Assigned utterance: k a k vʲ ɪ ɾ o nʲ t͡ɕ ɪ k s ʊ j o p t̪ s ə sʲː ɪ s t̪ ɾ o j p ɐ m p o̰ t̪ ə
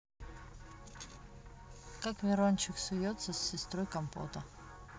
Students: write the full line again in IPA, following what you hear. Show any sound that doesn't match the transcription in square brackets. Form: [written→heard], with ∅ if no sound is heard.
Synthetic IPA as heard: k a k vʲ ɪ ɾ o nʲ t͡ɕ ɪ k s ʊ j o [p→∅] t̪ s ə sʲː ɪ s t̪ ɾ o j [p→k] ɐ m p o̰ t̪ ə